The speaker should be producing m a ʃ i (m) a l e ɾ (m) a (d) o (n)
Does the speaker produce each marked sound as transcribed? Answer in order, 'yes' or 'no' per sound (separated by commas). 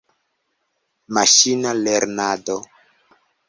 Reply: no, no, yes, no